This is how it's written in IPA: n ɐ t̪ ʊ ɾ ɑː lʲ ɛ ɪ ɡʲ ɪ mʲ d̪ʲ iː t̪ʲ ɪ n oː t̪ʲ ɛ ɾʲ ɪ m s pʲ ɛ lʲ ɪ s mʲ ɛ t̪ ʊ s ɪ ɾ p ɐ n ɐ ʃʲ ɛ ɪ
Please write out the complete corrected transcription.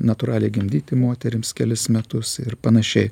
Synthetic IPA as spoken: n ɐ t̪ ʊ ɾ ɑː lʲ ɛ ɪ ɡʲ ɪ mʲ d̪ʲ iː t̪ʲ ɪ m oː t̪ʲ ɛ ɾʲ ɪ m s kʲ ɛ lʲ ɪ s mʲ ɛ t̪ ʊ s ɪ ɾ p ɐ n ɐ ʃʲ ɛ ɪ

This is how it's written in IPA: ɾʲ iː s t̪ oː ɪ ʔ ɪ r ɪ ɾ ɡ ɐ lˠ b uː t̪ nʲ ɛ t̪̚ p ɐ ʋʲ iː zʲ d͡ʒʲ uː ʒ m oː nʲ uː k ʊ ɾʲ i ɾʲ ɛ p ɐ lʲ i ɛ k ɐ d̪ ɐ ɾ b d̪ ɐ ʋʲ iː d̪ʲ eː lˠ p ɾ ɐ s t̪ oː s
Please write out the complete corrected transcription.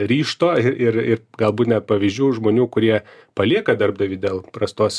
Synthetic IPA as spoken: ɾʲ iː ʃ t̪ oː ɪ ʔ ɪ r ɪ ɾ ɡ ɐ lˠ b uː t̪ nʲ ɛ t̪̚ p ɐ ʋʲ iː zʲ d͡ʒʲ uː ʒ m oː nʲ uː k ʊ ɾʲ i ɛ p ɐ lʲ i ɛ k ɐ d̪ ɐ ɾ b d̪ ɐ ʋʲ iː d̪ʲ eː lˠ p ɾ ɐ s t̪ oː s

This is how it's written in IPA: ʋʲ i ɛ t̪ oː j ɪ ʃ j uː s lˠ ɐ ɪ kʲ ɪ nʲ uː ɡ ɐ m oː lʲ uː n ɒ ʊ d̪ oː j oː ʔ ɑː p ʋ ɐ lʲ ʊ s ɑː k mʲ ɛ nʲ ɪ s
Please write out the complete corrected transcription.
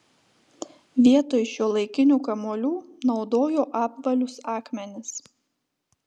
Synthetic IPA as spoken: ʋʲ i ɛ t̪ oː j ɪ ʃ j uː lˠ ɐ ɪ kʲ ɪ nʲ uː k ɐ m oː lʲ uː n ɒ ʊ d̪ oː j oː ʔ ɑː p ʋ ɐ lʲ ʊ s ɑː k mʲ ɛ nʲ ɪ s

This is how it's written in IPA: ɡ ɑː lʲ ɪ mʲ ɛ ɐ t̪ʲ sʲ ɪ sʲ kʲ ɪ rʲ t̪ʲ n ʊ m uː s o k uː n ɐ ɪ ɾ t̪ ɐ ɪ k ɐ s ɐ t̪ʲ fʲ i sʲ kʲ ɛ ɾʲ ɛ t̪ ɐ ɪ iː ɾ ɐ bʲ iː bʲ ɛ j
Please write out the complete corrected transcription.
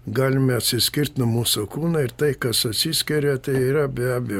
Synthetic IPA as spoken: ɡ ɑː lʲ ɪ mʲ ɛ ɐ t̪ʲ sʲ ɪ sʲ kʲ ɪ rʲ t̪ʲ n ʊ m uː s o k uː n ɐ ɪ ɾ t̪ ɐ ɪ k ɐ s ɐ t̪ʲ sʲ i sʲ kʲ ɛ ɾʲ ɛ t̪ ɐ ɪ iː ɾ ɐ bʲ æː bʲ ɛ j

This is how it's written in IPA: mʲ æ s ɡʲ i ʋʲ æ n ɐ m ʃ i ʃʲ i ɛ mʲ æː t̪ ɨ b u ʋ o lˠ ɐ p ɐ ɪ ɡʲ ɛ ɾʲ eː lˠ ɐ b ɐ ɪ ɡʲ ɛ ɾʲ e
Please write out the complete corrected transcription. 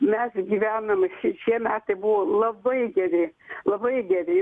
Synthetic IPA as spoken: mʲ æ s ɡʲ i ʋʲ æ n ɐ m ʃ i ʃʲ i ɛ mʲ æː t̪ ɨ b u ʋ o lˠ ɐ b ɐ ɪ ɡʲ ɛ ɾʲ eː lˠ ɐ b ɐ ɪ ɡʲ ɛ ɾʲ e

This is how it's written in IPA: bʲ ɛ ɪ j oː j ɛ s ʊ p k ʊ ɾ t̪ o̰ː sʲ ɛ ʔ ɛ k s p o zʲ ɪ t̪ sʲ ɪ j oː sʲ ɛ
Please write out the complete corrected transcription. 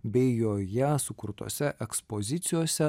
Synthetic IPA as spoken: bʲ ɛ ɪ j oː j ɛ s ʊ k ʊ ɾ t̪ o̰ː sʲ ɛ ʔ ɛ k s p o zʲ ɪ t̪ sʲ ɪ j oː sʲ ɛ

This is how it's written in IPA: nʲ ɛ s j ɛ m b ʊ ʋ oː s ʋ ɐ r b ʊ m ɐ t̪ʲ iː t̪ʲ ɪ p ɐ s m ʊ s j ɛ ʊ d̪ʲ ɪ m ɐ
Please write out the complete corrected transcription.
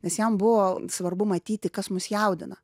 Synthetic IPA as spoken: nʲ ɛ s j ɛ m b ʊ ʋ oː s ʋ ɐ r b ʊ m ɐ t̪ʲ iː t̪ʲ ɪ k ɐ s m ʊ s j ɛ ʊ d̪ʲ ɪ n ɐ

